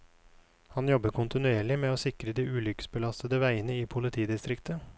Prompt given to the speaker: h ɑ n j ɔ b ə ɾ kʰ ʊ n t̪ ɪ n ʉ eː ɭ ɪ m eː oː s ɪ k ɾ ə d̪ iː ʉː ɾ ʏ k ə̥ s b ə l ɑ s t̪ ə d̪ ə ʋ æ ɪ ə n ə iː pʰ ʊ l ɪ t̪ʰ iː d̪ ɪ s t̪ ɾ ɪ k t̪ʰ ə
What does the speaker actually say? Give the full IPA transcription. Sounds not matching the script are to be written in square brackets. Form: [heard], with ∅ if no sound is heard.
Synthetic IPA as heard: h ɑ n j ɔ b ə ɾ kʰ ʊ n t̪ ɪ n ʉ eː ɭ ɪ m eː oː s ɪ k ɾ ə d̪ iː ʉː [l] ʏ k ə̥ s b ə l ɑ s t̪ ə d̪ ə ʋ æ ɪ ə n ə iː pʰ ʊ l ɪ t̪ʰ iː d̪ ɪ s t̪ ɾ ɪ k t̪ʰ ə